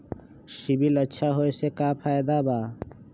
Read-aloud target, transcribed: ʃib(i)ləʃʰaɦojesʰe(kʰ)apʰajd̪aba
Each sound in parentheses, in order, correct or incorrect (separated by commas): correct, incorrect